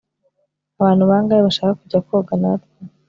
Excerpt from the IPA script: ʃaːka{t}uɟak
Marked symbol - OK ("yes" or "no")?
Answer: no